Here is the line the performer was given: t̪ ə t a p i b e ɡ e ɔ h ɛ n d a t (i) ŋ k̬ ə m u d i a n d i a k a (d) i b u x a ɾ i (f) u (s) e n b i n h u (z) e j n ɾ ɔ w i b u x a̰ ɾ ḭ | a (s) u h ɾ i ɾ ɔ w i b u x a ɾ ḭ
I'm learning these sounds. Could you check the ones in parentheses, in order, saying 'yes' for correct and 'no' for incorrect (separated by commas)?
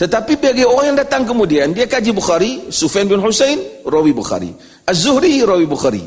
no, no, no, no, no, no